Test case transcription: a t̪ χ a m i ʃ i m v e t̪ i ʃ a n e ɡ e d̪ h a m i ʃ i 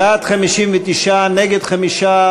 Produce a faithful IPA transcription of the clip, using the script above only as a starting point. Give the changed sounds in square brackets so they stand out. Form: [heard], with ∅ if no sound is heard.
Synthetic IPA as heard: a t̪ χ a m i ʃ i m v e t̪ i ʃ a n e ɡ e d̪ [χ] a m i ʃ [a]